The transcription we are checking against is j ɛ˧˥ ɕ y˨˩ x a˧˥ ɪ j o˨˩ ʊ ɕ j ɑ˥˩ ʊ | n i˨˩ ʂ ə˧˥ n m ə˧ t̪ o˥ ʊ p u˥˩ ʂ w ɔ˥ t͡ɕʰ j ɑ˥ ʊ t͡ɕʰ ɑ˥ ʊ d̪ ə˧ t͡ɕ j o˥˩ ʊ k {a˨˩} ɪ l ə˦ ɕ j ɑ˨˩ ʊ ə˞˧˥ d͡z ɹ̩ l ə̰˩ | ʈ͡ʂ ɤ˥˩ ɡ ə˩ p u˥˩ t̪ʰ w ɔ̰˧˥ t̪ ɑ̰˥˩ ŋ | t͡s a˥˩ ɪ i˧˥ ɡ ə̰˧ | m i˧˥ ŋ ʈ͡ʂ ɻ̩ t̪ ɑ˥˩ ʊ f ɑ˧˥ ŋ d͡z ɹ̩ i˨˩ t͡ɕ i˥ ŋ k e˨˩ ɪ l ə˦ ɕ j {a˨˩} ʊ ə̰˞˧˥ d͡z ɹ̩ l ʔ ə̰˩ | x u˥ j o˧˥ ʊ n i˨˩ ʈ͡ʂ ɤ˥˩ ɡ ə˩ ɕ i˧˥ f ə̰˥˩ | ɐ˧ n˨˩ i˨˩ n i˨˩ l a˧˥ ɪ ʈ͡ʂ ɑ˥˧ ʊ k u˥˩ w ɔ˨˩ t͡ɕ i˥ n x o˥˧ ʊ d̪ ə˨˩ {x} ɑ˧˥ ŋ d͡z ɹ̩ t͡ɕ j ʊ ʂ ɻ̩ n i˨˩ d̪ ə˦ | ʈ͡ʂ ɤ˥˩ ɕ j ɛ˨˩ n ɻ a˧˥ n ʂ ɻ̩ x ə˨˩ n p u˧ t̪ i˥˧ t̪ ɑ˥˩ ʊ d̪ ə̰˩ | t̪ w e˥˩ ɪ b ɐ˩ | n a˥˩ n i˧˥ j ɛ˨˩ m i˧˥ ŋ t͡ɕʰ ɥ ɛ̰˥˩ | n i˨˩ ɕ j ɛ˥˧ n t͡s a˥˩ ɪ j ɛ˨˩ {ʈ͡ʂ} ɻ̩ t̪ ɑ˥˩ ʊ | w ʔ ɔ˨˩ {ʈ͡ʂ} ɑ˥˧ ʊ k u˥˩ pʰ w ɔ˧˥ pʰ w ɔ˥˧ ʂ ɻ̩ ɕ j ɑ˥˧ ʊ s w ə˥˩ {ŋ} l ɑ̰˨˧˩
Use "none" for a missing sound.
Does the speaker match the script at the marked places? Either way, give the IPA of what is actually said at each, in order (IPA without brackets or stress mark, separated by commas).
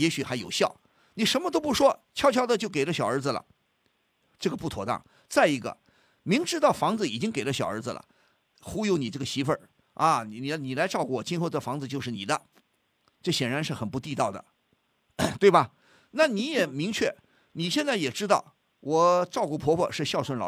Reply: e˨˩, ɑ˨˩, f, ʈ͡ʂ, ʈ͡ʂ, n